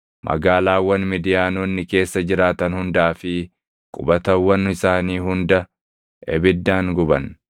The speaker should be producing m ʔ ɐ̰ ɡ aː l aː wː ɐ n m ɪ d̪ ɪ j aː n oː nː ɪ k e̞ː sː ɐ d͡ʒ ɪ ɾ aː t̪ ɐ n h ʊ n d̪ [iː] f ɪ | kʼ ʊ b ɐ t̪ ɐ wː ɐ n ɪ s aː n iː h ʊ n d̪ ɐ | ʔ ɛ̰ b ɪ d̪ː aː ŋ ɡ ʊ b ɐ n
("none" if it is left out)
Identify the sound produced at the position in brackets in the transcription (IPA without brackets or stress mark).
aː